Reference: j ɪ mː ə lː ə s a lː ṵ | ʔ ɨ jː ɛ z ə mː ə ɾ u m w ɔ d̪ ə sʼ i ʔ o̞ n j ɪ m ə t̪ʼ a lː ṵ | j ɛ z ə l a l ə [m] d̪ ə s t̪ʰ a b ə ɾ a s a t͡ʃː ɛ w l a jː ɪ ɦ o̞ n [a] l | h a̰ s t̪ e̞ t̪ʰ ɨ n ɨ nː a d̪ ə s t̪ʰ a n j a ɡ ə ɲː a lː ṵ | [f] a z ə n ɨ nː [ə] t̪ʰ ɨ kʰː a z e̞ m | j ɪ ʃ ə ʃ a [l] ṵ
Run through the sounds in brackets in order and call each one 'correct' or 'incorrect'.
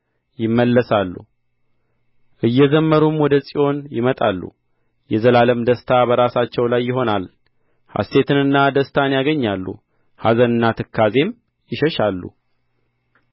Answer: correct, correct, incorrect: h, incorrect: a, incorrect: lː

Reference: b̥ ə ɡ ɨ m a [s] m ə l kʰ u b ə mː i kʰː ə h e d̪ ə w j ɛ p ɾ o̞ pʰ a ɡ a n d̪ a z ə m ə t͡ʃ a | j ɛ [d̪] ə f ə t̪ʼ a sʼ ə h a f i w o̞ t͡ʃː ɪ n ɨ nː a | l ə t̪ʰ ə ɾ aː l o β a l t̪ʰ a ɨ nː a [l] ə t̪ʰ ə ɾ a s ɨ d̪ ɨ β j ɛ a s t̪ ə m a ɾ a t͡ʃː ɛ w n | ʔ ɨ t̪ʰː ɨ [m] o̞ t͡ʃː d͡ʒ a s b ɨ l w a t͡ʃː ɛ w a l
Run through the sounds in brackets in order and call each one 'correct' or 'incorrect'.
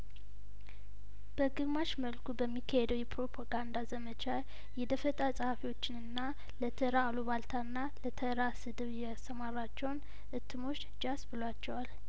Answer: incorrect: ʃ, correct, correct, correct

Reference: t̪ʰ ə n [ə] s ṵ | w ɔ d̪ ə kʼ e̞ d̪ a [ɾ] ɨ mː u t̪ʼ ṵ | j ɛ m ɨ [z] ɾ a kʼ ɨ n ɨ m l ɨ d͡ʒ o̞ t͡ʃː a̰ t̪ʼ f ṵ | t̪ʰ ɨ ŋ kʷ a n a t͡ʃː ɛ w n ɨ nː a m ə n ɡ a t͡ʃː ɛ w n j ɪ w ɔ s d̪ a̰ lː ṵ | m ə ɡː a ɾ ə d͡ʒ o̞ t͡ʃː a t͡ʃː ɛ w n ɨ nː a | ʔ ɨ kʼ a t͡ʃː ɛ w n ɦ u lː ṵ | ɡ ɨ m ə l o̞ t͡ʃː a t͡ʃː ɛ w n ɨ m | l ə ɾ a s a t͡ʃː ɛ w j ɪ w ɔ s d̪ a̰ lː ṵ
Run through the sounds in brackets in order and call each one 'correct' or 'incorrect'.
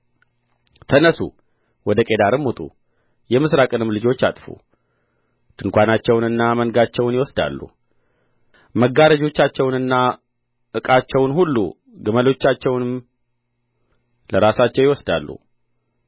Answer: correct, correct, incorrect: s

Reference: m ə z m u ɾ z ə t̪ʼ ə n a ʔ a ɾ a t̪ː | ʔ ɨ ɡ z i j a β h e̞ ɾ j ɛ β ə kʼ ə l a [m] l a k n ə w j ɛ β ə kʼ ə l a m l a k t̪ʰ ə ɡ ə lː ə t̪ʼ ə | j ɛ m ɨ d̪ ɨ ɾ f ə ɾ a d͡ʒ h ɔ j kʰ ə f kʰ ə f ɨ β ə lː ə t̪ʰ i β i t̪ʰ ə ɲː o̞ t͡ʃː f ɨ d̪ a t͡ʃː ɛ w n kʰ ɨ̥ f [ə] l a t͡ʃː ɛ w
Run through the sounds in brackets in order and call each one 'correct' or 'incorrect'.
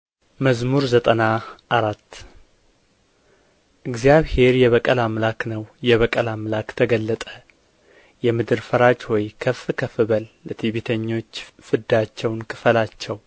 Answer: correct, correct

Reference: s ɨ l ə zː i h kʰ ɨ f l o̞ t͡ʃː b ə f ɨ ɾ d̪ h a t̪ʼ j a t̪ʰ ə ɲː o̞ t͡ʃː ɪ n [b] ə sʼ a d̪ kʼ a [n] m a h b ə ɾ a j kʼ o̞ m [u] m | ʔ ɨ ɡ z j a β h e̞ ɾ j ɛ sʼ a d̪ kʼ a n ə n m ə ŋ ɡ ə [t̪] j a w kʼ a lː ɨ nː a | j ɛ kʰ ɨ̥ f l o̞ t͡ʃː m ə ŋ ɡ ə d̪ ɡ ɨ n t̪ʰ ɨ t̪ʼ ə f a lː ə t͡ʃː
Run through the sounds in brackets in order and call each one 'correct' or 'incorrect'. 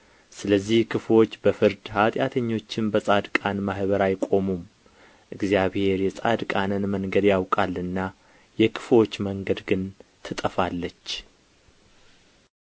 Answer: correct, correct, correct, incorrect: d̪

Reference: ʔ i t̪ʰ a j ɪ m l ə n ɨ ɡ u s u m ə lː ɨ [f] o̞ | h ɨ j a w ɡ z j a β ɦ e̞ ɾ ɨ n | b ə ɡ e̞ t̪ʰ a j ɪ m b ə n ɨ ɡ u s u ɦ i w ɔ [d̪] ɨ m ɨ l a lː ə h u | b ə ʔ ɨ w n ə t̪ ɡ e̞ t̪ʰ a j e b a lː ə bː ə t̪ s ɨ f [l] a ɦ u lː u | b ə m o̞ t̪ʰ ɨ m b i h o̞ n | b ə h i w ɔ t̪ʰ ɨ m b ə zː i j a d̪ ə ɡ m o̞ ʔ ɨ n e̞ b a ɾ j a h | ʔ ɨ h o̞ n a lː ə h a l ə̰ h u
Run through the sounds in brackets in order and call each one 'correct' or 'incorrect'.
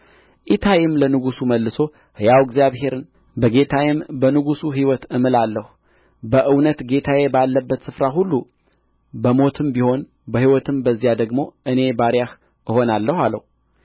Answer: incorrect: s, incorrect: t̪, incorrect: ɾ

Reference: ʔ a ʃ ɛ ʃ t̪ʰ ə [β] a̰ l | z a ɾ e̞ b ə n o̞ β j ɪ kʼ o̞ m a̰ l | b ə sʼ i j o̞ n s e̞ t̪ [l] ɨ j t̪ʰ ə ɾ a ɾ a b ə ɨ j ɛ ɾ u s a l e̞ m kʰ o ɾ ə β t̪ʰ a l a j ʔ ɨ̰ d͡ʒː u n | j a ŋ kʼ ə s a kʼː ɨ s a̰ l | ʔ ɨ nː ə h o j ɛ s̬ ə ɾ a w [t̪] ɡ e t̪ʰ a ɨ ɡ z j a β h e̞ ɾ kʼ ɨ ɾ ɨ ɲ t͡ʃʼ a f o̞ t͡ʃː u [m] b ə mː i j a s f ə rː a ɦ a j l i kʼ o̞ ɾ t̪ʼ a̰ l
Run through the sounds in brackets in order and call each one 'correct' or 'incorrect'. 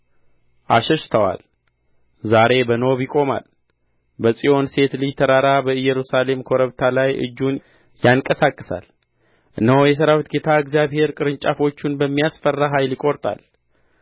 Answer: incorrect: w, correct, correct, incorrect: n

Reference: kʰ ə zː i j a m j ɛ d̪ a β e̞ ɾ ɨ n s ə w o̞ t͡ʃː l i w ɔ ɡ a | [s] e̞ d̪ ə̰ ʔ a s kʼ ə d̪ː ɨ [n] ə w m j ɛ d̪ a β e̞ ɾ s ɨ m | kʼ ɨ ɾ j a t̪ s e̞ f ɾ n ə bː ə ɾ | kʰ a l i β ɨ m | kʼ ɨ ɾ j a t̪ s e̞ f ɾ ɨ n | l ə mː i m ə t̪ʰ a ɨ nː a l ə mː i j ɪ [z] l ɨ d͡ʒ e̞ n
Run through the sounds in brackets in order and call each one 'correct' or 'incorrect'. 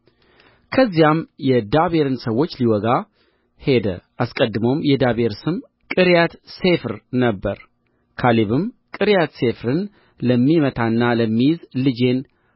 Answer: incorrect: h, incorrect: m, correct

